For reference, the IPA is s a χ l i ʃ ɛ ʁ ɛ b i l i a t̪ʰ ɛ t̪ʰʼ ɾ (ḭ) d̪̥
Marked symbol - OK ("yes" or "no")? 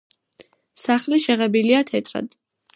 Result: no